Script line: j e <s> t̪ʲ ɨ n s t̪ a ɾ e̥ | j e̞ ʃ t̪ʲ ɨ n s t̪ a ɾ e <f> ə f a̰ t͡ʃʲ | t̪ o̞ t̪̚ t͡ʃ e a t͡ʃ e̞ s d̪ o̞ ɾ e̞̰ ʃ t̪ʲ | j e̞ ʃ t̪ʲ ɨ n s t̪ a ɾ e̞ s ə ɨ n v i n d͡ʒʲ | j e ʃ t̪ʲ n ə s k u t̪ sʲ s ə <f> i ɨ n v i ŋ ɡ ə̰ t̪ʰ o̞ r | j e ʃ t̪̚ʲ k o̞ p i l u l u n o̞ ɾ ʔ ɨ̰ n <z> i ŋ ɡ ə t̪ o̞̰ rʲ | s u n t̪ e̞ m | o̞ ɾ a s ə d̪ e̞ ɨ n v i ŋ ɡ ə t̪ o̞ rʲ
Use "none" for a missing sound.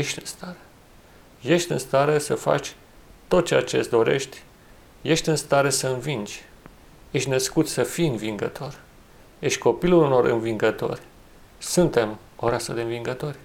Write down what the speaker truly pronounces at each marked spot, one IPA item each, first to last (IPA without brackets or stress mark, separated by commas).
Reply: ʃ, s, f, v